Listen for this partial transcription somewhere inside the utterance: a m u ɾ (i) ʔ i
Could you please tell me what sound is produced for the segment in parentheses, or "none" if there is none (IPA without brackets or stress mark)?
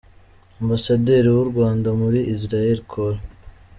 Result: i